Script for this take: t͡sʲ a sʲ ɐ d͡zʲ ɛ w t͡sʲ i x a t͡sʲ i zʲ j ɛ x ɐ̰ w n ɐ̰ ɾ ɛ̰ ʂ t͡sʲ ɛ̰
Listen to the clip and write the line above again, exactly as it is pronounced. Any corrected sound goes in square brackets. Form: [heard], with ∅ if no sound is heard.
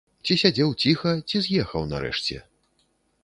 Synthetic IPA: t͡sʲ [i] sʲ [a] d͡zʲ ɛ w t͡sʲ i x [ɐ] t͡sʲ i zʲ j ɛ x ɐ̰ w n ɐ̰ ɾ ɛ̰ ʂ t͡sʲ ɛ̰